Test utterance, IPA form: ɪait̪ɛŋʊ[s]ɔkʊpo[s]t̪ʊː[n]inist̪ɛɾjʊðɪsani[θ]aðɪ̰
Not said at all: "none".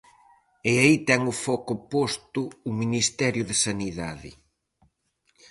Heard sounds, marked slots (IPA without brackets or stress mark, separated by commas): f, s, m, ð